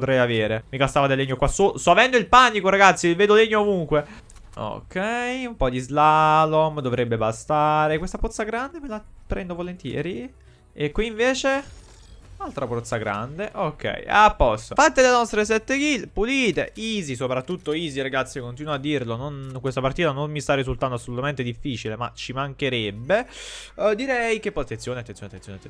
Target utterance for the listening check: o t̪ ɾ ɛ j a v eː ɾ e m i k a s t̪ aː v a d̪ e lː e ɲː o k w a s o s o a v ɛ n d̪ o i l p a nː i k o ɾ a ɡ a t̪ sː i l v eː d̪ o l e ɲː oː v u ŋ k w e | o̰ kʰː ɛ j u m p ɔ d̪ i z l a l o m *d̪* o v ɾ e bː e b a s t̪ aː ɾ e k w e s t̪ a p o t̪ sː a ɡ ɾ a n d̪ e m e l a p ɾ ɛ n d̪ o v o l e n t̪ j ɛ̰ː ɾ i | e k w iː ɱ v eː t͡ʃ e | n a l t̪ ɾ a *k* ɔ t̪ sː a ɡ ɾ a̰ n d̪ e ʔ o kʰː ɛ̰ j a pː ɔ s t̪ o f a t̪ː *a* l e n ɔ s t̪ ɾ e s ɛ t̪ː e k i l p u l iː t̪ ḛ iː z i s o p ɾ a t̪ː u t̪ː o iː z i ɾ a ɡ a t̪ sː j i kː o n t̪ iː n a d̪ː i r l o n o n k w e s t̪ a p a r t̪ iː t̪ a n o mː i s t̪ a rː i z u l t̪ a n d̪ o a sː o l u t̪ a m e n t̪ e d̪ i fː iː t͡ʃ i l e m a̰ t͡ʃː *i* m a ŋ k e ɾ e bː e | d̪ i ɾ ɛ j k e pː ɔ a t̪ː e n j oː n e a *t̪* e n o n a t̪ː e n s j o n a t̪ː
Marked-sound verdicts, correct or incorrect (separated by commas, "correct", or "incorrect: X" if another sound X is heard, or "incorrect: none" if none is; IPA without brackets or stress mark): correct, incorrect: p, incorrect: e, correct, correct